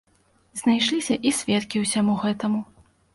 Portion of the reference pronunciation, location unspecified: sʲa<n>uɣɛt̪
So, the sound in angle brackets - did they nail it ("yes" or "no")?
no